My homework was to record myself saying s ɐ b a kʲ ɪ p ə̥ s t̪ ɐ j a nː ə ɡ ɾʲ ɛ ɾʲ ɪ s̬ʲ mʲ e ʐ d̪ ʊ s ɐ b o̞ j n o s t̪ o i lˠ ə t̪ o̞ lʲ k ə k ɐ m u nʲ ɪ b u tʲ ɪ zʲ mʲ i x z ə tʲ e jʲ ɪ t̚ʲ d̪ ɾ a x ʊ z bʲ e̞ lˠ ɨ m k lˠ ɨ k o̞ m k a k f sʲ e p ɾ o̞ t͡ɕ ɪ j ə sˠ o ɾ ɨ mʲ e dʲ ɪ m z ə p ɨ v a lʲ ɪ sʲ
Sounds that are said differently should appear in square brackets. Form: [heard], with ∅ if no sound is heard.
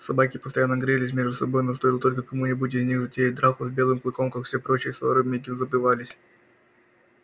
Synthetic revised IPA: s ɐ b a kʲ ɪ p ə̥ s t̪ ɐ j a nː ə ɡ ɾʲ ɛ [lʲ] ɪ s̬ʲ mʲ e ʐ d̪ ʊ s ɐ b o̞ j n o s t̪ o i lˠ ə t̪ o̞ lʲ k ə k ɐ m u nʲ ɪ b u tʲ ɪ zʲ [nʲ] i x z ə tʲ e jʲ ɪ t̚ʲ d̪ ɾ a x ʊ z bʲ e̞ lˠ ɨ m k lˠ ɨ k o̞ m k a k f sʲ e p ɾ o̞ t͡ɕ ɪ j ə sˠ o ɾ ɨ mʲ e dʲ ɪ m z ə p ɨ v a lʲ ɪ sʲ

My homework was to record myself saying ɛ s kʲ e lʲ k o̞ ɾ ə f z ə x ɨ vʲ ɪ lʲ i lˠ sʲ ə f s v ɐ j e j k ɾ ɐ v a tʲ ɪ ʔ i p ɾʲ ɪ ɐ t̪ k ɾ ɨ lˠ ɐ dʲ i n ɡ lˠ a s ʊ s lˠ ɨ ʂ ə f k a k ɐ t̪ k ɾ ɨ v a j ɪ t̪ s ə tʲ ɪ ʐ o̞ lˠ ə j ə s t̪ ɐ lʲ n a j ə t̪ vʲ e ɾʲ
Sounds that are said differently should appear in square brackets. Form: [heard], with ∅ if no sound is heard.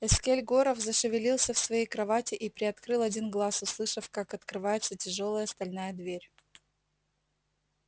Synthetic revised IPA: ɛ s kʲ e lʲ [ɡ] o̞ ɾ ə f z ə [ʂ] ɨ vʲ ɪ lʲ i lˠ sʲ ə f s v ɐ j e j k ɾ ɐ v a tʲ ɪ ʔ i p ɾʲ ɪ ɐ t̪ k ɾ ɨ lˠ ɐ dʲ i n ɡ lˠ a s ʊ s lˠ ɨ ʂ ə f k a k ɐ t̪ k ɾ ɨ v a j ɪ t̪ s ə tʲ ɪ ʐ o̞ lˠ ə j ə s t̪ ɐ lʲ n a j ə [d̪] vʲ e ɾʲ

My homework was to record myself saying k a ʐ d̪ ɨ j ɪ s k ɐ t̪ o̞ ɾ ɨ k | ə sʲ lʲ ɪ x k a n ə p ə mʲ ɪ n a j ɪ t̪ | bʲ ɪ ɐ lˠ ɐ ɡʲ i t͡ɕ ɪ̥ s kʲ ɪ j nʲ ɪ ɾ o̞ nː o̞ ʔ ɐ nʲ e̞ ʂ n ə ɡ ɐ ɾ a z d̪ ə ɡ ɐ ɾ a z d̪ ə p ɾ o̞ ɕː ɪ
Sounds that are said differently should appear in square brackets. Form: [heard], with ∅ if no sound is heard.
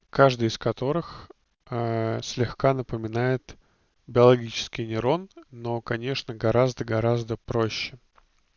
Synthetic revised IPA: k a ʐ d̪ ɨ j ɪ s k ɐ t̪ o̞ ɾ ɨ [x] | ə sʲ lʲ ɪ x k a n ə p ə mʲ ɪ n a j ɪ t̪ | bʲ ɪ ɐ lˠ ɐ ɡʲ i t͡ɕ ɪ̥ s kʲ ɪ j nʲ ɪ ɾ o̞ nː o̞ [k] ɐ nʲ e̞ ʂ n ə ɡ ɐ ɾ a z d̪ ə ɡ ɐ ɾ a z d̪ ə p ɾ o̞ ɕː ɪ

